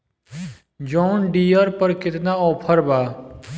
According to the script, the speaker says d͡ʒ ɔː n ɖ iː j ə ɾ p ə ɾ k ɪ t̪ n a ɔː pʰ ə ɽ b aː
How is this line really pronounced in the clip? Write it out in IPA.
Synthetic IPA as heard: d͡ʒ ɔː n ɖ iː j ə ɾ p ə ɾ k ɪ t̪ n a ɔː pʰ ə ɾ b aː